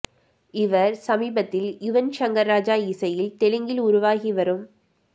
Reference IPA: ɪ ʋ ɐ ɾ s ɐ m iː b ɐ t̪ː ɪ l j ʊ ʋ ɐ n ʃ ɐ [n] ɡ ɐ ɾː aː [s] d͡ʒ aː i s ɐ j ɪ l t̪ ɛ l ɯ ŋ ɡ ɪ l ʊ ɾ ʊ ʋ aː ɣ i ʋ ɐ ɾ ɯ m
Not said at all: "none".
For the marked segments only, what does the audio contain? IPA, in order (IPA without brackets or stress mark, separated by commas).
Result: ŋ, none